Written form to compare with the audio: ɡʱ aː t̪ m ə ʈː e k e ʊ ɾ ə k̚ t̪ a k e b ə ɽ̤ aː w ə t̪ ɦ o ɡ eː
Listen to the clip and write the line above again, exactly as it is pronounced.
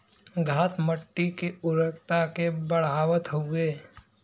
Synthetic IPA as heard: ɡʱ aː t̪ m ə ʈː i k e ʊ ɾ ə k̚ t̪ a k e b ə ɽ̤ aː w ə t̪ ɦ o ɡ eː